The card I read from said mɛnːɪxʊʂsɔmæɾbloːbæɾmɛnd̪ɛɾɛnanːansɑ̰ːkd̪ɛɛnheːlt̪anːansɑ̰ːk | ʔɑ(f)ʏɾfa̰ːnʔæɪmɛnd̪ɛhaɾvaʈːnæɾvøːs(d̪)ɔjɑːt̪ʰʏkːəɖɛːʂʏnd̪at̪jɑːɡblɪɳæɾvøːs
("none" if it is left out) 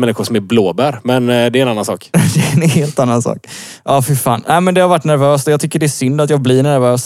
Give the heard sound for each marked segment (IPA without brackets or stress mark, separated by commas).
f, t̪